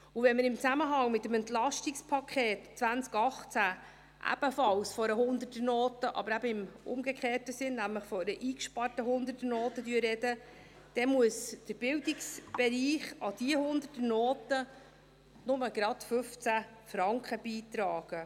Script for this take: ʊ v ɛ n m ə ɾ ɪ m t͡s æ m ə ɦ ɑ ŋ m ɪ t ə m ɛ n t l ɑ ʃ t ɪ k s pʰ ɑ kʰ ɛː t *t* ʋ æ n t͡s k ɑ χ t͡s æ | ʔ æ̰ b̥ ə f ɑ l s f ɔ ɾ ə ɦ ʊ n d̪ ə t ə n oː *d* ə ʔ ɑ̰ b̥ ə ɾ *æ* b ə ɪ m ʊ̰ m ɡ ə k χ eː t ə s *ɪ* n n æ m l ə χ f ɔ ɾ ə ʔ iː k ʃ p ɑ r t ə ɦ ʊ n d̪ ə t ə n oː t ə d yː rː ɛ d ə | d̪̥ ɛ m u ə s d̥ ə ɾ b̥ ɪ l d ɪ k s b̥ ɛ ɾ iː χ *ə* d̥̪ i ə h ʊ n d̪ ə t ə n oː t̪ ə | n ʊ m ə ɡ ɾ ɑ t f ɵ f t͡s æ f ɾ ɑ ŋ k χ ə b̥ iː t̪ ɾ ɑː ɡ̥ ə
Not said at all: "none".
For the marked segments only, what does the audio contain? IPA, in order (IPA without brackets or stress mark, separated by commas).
t͡s, t, æ, ɪ, ɑ